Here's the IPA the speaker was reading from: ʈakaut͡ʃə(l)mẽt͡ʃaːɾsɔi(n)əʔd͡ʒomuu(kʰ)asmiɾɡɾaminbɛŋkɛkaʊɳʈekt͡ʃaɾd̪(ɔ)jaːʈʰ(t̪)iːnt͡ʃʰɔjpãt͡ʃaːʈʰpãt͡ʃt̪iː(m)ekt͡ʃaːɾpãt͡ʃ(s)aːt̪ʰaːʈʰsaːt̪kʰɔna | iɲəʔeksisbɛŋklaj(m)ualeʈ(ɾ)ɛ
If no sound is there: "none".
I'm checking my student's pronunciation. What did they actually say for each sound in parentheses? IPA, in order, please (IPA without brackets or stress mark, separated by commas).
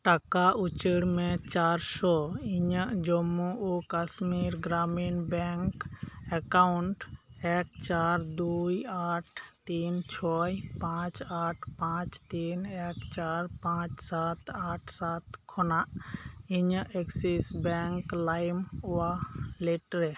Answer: ɽ, ɲ, k, u, t̪, n, s, m, ɾ